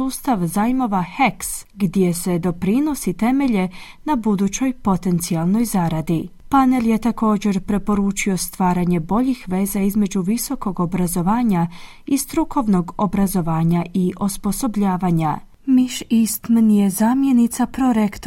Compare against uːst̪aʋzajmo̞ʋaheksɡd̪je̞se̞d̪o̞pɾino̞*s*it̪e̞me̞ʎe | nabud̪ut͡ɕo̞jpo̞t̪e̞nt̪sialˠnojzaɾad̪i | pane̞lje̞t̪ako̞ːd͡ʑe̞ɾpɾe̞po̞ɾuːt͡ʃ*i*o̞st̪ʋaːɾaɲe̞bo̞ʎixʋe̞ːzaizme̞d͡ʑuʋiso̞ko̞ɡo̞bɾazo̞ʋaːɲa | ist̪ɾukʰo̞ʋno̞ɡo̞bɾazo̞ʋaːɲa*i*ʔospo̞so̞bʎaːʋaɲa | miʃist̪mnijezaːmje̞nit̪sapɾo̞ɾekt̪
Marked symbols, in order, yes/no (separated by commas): yes, yes, yes